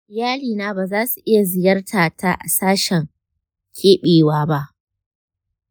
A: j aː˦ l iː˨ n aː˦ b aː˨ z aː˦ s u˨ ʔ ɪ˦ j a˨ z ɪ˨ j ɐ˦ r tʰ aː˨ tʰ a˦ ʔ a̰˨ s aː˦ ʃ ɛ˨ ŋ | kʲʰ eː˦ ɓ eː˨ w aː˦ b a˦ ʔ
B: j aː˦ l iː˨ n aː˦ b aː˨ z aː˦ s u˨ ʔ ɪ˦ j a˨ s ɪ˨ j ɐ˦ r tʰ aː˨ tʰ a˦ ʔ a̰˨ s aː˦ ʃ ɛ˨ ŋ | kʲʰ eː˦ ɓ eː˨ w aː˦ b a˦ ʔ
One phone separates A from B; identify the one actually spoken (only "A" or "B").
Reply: A